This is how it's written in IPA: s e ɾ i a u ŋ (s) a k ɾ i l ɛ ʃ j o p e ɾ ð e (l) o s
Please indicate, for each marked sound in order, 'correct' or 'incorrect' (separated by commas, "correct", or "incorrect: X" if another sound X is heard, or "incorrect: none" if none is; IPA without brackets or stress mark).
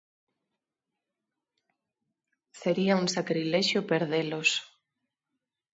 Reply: correct, correct